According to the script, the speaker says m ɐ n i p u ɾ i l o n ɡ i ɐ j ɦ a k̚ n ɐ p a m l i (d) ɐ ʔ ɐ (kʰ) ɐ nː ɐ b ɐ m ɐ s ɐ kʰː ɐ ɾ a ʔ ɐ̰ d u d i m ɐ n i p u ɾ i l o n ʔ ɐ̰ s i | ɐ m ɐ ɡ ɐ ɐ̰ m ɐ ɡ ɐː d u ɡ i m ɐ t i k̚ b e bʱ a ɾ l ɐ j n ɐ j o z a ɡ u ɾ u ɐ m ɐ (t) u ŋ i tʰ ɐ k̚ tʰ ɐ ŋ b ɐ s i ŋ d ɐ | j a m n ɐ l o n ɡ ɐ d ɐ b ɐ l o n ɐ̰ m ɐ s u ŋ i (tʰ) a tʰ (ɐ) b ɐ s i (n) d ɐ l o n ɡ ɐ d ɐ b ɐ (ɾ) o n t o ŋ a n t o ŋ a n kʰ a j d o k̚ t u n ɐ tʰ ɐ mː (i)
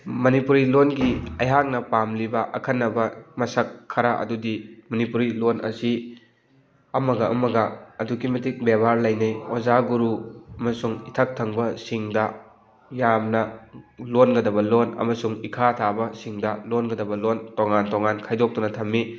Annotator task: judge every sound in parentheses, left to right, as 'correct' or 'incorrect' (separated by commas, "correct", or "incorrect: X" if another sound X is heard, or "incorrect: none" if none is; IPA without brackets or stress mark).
incorrect: b, correct, incorrect: s, incorrect: kʰ, incorrect: a, incorrect: ŋ, incorrect: l, correct